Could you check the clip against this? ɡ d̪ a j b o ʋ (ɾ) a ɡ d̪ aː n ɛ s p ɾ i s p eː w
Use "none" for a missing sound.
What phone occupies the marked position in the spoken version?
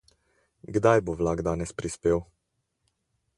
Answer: l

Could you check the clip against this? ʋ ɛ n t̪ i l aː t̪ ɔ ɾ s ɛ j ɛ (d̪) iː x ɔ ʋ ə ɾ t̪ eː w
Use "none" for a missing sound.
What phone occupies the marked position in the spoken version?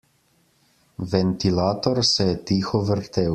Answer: t̪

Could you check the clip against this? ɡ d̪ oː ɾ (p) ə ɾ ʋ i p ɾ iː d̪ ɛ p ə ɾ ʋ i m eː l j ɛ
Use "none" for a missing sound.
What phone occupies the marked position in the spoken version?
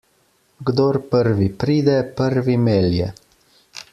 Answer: p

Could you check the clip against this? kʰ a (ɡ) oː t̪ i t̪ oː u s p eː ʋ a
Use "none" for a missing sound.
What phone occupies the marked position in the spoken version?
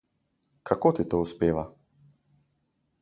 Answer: k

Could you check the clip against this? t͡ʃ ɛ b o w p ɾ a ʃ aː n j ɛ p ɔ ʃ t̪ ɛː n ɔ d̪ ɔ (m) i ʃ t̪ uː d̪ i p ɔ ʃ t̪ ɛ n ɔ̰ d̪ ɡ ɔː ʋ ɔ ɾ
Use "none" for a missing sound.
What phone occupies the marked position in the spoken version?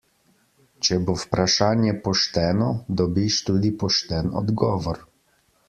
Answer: b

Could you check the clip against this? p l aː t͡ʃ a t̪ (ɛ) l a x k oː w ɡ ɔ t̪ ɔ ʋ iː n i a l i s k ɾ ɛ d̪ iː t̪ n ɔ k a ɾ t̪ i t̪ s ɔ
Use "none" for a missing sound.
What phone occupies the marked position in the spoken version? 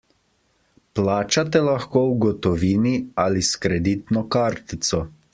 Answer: ɛ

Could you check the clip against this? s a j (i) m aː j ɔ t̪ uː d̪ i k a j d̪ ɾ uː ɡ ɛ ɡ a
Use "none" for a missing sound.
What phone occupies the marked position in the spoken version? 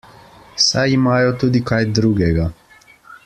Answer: i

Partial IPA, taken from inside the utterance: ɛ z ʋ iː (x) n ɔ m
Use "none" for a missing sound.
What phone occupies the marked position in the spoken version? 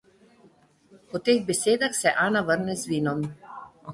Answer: none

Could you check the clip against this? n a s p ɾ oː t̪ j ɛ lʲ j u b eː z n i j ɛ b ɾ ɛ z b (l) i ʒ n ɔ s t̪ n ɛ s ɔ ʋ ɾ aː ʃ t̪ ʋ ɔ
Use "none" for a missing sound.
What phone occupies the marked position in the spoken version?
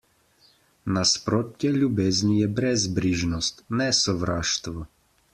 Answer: ɾ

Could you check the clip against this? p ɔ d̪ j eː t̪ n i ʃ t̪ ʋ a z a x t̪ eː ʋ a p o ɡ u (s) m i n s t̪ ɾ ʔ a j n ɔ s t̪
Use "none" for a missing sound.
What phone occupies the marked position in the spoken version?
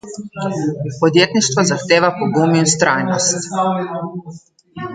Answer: none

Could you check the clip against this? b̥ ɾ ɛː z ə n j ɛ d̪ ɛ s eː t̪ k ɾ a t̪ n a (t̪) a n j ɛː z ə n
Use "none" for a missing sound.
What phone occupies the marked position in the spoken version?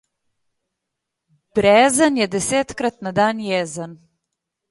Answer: d̪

